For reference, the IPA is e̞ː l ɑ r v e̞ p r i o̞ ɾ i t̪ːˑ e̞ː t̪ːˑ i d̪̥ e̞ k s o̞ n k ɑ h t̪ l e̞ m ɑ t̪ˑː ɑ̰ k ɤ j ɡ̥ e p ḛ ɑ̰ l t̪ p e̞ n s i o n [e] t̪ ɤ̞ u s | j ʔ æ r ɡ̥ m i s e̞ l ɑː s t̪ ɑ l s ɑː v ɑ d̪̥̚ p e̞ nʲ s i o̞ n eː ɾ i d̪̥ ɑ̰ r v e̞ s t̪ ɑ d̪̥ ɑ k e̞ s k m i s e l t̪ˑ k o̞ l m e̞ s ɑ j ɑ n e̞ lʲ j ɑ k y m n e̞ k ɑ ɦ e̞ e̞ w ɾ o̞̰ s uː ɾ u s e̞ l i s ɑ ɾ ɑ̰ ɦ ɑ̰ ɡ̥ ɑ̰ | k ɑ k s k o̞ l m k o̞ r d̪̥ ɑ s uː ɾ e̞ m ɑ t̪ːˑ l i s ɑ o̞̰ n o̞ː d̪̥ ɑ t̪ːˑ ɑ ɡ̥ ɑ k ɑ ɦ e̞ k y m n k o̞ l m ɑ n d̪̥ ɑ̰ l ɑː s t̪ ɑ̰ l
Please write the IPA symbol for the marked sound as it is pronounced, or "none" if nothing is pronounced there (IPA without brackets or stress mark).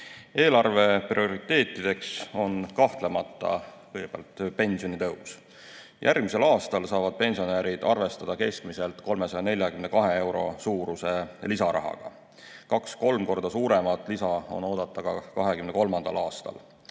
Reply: i